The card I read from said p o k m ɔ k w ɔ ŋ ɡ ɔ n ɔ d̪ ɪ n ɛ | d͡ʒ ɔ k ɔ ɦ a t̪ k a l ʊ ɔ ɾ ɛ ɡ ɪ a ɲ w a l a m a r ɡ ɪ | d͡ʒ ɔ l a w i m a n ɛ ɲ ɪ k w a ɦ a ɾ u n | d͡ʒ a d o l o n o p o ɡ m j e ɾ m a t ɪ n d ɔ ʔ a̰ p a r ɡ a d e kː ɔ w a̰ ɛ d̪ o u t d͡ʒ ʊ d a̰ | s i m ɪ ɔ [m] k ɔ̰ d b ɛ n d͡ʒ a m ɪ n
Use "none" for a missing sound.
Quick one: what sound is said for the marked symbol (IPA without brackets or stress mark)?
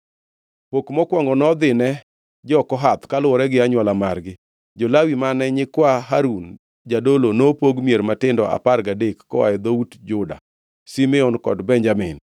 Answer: n